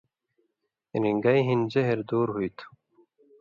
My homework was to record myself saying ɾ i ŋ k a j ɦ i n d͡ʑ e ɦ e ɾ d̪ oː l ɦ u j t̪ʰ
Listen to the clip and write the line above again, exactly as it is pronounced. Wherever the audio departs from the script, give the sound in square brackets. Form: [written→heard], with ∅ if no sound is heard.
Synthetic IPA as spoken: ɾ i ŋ [k→ɡ] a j ɦ i n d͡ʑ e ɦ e ɾ d̪ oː [l→ɾ] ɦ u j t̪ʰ